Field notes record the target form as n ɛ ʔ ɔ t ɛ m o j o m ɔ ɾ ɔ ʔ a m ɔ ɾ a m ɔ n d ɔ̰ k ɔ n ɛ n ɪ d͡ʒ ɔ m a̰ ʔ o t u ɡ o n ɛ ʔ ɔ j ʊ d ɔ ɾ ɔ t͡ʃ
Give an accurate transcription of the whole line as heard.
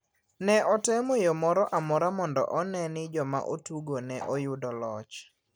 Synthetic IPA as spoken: n ɛ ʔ ɔ t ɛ m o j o m ɔ ɾ ɔ ʔ a m ɔ ɾ a m ɔ n d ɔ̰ ʔ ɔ n ɛ n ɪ d͡ʒ ɔ m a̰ ʔ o t u ɡ o n ɛ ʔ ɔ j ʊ d ɔ l ɔ t͡ʃ

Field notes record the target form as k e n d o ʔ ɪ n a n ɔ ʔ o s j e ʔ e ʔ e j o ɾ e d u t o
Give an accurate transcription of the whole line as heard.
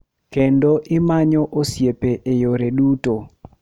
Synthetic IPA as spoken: k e n d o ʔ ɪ m a ɲ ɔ ʔ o s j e p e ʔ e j o ɾ e d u t o

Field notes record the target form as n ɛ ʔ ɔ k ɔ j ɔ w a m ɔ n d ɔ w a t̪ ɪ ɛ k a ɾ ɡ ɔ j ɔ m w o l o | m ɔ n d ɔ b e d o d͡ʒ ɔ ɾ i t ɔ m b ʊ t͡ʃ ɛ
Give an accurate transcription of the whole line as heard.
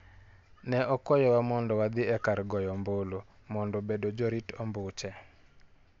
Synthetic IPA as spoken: n ɛ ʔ ɔ k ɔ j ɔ w a m ɔ n d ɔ w a d̪ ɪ ɛ k a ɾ ɡ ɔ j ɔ m b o l o | m ɔ n d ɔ b e d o d͡ʒ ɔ ɾ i t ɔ m b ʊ t͡ʃ ɛ

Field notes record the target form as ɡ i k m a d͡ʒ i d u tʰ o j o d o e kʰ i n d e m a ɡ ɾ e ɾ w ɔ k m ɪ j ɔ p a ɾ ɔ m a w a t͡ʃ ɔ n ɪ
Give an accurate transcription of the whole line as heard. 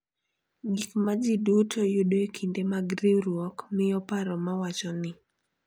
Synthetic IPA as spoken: ɡ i k m a d͡ʒ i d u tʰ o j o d o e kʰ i n d e m a ɡ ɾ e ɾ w ɔ k m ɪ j ɔ p a ɾ ɔ m a w a t͡ʃ ɔ n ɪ

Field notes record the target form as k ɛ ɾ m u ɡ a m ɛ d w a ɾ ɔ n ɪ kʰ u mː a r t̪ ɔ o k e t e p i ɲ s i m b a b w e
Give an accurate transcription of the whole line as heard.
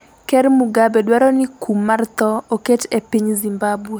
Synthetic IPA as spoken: k ɛ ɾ m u ɡ a b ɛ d w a ɾ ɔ n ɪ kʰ u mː a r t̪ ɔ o k e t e p i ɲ z i m b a b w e

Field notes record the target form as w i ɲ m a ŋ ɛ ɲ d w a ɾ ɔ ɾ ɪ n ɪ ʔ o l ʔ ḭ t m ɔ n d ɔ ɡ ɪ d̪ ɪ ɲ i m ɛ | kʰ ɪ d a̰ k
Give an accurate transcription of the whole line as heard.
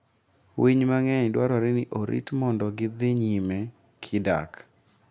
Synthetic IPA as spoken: w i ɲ m a ŋ ɛ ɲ d w a ɾ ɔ ɾ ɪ n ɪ ʔ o ɾ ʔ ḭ t m ɔ n d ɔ ɡ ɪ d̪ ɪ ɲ i m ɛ | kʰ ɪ d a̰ k

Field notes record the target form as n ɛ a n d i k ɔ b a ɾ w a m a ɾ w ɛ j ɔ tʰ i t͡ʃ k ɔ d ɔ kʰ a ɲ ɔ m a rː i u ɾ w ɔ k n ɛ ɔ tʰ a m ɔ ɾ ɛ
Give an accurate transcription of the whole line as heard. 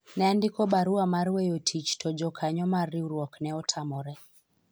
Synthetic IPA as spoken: n ɛ a n d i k ɔ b a ɾ u a m a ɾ w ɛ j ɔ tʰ i t͡ʃ t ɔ d͡ʒ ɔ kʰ a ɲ ɔ m a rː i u ɾ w ɔ k n ɛ ɔ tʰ a m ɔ ɾ ɛ

